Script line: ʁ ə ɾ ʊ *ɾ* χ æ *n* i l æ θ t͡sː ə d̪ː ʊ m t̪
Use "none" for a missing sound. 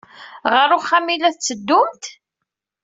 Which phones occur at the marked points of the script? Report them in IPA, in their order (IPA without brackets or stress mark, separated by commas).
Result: none, m